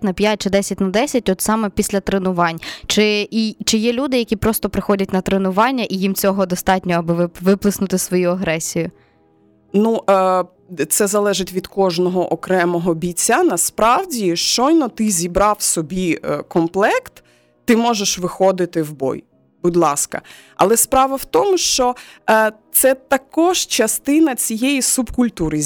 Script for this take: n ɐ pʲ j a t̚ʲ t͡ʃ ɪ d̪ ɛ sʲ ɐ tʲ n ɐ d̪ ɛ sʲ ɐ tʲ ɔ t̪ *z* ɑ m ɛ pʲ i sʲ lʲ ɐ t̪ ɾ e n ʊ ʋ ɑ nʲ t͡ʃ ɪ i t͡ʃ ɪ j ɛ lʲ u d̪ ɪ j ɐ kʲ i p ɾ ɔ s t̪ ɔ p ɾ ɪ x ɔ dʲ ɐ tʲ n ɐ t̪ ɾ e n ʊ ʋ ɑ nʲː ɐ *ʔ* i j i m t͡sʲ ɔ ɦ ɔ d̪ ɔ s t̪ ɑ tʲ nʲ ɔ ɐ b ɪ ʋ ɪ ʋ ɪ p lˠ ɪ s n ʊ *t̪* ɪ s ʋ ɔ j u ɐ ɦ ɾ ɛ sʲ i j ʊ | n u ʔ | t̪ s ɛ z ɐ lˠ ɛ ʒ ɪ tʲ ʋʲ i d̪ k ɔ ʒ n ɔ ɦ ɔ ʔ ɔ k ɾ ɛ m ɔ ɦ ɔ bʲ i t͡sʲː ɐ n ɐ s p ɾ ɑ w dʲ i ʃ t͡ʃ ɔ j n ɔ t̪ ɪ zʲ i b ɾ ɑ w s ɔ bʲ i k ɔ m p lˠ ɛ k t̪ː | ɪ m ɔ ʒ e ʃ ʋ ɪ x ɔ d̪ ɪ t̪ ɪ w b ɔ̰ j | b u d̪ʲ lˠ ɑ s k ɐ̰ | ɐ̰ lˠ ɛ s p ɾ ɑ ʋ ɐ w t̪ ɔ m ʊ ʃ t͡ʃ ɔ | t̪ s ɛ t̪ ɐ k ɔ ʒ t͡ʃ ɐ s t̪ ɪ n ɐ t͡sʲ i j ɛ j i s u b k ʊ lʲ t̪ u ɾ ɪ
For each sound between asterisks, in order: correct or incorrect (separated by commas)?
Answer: incorrect, correct, correct